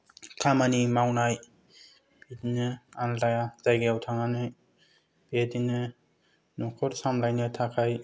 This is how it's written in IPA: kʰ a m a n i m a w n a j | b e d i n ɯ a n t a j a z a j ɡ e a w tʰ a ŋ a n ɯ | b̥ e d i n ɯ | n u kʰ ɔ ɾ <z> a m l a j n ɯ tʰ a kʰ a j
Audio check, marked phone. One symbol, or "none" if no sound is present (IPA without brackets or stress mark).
s